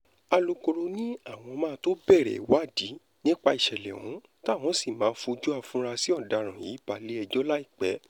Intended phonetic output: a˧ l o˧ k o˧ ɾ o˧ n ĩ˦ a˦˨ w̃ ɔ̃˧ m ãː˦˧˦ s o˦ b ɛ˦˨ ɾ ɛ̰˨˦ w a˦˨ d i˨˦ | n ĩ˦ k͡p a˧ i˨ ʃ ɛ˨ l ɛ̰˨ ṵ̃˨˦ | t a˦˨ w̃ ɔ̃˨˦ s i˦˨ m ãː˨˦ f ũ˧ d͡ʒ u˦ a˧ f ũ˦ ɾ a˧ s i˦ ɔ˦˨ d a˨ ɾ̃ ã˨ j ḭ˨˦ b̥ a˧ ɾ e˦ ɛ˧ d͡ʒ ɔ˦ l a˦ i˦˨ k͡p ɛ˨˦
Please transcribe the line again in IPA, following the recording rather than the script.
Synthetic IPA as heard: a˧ l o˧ k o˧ ɾ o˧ n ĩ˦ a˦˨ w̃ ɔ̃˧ m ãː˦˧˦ t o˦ b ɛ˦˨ ɾ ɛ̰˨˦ w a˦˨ d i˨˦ | n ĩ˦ k͡p a˧ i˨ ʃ ɛ˨ l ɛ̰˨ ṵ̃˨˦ | t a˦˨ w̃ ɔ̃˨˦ s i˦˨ m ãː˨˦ f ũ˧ d͡ʒ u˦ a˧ f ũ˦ ɾ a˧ s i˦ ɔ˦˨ d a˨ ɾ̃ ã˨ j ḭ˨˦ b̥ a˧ l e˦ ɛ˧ d͡ʒ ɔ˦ l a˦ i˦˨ k͡p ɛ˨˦